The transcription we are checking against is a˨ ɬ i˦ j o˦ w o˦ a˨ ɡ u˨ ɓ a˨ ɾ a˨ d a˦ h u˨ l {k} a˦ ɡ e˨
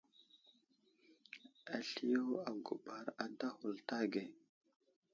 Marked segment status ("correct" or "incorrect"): incorrect